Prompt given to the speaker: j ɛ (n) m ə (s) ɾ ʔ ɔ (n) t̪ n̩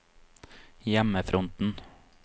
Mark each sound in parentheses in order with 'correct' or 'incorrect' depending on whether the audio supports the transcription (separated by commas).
incorrect, incorrect, correct